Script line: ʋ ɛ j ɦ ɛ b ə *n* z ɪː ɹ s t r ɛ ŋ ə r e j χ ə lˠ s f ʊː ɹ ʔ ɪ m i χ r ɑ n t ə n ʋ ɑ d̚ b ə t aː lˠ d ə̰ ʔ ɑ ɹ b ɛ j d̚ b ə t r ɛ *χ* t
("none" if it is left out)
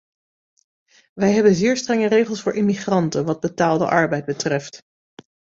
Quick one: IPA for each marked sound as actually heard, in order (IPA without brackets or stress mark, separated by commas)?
n, f